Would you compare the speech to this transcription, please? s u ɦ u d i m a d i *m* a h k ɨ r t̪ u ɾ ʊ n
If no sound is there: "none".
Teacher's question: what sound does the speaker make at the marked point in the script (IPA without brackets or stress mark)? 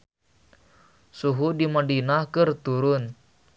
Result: n